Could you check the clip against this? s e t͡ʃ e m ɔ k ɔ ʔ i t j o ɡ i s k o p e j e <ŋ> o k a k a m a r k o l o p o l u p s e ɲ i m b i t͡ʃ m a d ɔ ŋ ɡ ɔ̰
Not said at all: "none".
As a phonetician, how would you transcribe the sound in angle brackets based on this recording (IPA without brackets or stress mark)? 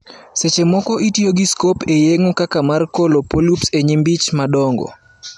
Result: ŋ